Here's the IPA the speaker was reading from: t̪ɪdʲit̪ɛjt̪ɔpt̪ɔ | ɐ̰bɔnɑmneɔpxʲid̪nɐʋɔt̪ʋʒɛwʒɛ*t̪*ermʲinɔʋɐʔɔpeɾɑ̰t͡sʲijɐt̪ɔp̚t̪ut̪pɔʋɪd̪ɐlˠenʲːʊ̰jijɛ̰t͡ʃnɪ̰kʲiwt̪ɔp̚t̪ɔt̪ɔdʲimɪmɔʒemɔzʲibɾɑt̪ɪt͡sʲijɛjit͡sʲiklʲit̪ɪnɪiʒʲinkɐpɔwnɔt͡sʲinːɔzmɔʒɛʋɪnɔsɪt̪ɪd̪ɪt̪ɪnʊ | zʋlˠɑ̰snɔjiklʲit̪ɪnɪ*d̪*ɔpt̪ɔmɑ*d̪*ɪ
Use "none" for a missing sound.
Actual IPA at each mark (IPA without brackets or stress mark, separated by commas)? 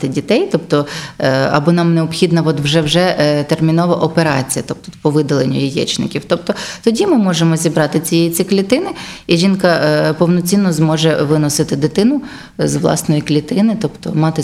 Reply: t̪, t̪, t̪